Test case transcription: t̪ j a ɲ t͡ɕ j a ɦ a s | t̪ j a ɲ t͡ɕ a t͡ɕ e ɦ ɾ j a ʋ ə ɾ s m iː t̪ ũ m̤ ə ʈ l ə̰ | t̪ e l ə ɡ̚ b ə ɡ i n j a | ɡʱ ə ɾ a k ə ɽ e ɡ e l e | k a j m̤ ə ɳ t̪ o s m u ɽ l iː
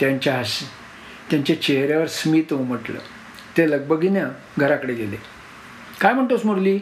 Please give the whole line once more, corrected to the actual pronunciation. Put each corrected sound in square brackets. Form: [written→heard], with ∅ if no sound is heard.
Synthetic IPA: t̪ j a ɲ t͡ɕ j a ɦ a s | t̪ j a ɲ t͡ɕ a t͡ɕ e ɦ ɾ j a ʋ ə ɾ s m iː t̪ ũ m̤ ə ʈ l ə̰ | t̪ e l ə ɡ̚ b ə ɡ i n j a | ɡʱ ə ɾ a k ə ɽ e ɡ e l e | k a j m̤ ə ɳ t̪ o s m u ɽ l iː